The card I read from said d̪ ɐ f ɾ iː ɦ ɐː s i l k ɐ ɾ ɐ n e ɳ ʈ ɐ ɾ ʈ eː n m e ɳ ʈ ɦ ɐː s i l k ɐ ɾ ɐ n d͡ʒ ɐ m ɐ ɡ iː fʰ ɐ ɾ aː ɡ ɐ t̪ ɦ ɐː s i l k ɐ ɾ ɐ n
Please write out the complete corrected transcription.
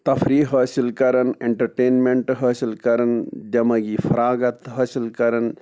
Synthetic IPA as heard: t̪ ɐ f ɾ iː ɦ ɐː s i l k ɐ ɾ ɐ n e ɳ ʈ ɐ ɾ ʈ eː n m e ɳ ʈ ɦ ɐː s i l k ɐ ɾ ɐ n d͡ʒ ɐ m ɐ ɡ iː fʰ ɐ ɾ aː ɡ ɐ t̪ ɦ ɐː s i l k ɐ ɾ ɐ n